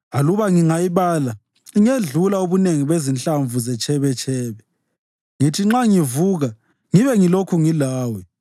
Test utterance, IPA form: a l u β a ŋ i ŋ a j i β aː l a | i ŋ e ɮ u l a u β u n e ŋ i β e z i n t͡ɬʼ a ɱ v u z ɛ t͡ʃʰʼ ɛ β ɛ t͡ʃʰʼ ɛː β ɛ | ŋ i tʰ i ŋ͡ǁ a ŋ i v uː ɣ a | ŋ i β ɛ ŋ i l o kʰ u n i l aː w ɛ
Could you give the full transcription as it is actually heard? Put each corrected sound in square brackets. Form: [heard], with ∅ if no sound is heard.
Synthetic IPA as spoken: a l u β a ŋ i ŋ a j i β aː l a | i ŋ e ɮ u l a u β u n e ŋ i β e z i n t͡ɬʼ a ɱ v u z ɛ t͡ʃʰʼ ɛ β ɛ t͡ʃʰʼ ɛː β ɛ | ŋ i tʰ i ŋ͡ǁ a ŋ i v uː ɣ a | ŋ i β ɛ ŋ i l o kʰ u [ŋ] i l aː w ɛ

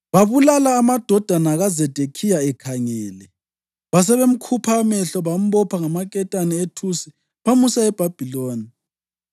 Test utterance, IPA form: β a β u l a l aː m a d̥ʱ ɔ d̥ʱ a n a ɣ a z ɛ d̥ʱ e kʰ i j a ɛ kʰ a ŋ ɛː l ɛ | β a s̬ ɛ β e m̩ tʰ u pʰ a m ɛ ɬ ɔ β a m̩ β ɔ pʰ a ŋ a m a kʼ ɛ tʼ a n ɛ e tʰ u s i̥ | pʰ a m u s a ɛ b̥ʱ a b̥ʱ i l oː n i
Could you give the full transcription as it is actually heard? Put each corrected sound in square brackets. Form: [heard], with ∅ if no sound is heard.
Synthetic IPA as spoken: β a β u l a l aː m a d̥ʱ ɔ d̥ʱ a n a ɣ a z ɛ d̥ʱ e kʰ i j a ɛ kʰ a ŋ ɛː l ɛ | β a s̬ ɛ β e m̩ [kʰ] u pʰ a m ɛ ɬ ɔ β a m̩ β ɔ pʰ a ŋ a m a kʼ ɛ tʼ a n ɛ e tʰ u s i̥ | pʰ a m u s a ɛ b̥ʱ a b̥ʱ i l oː n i

